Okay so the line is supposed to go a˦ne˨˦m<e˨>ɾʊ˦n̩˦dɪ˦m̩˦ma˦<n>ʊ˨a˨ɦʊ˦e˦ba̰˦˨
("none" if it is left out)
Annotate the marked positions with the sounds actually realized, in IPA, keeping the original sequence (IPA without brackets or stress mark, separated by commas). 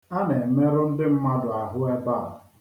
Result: e˦, d